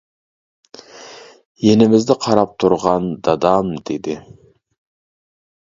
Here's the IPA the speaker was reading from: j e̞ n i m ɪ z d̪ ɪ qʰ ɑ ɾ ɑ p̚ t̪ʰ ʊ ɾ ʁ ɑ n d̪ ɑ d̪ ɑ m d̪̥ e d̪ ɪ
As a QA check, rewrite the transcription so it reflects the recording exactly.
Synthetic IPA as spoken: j e̞ n ɪ m ɪ z d̪ ɪ qʰ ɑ ɾ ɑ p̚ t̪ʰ ʊ ɾ ʁ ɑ n d̪ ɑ d̪ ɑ m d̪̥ e d̪ ɪ